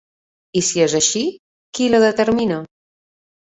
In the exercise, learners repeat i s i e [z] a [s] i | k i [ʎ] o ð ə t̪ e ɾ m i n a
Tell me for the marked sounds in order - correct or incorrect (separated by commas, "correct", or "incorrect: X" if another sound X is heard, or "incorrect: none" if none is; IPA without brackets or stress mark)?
correct, incorrect: ʃ, incorrect: l